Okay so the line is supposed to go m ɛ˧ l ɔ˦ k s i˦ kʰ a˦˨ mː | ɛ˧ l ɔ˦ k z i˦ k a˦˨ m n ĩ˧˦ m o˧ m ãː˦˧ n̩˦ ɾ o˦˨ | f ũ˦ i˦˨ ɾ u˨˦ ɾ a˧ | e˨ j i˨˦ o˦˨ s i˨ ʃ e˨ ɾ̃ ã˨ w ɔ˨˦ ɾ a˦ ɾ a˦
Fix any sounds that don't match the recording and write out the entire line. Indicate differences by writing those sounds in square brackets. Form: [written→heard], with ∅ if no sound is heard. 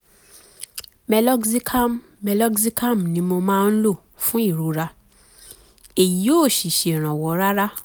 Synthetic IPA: m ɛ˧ l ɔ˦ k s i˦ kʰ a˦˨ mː | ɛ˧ l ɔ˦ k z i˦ k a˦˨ m n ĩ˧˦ m o˧ m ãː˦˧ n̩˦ [ɾ→l] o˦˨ | f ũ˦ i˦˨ ɾ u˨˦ ɾ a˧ | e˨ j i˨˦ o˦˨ [s→ʃ] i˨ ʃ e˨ ɾ̃ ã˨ w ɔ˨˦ ɾ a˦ ɾ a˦